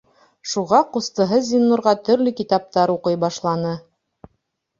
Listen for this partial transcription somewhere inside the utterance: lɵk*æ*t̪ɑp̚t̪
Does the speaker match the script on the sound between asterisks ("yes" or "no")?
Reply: no